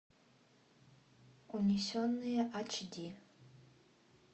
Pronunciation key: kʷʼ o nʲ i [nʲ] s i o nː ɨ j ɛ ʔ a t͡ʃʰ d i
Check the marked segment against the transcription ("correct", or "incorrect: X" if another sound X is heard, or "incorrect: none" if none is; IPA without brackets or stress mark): incorrect: none